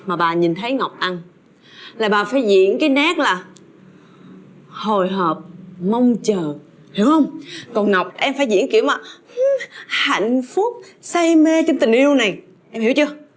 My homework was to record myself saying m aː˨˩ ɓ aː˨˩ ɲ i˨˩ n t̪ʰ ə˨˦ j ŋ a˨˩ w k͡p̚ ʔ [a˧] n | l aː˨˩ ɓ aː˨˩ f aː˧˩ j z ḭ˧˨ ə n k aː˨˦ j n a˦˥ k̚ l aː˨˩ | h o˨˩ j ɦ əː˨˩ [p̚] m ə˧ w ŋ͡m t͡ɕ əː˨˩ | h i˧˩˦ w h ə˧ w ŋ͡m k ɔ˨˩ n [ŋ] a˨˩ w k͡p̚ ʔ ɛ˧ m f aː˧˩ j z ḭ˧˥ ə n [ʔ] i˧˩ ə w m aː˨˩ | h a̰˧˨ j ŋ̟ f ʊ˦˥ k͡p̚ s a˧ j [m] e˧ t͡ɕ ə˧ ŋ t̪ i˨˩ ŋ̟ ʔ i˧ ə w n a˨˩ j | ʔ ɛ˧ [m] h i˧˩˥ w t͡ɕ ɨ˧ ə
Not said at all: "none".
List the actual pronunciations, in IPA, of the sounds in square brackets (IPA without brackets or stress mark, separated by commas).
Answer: a˧, p̚, ŋ, k, m, m